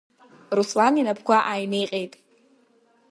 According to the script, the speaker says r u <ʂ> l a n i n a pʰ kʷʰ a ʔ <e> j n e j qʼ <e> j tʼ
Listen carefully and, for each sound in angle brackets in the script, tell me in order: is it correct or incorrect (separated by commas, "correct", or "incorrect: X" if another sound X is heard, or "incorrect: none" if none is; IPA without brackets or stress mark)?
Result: incorrect: s, incorrect: a, correct